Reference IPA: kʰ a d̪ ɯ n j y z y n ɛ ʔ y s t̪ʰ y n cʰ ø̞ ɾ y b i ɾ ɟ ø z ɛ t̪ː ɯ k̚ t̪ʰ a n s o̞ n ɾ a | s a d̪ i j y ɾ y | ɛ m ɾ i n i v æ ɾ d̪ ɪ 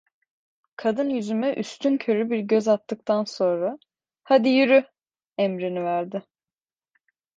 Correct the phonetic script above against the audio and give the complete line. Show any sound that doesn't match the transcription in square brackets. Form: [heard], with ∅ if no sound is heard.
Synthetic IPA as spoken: kʰ a d̪ ɯ n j y z y [m] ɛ ʔ y s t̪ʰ y n cʰ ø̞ ɾ y b i ɾ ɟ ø z [a] t̪ː ɯ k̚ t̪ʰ a n s o̞ n ɾ a | [h] a d̪ i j y ɾ y | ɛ m ɾ i n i v æ ɾ d̪ ɪ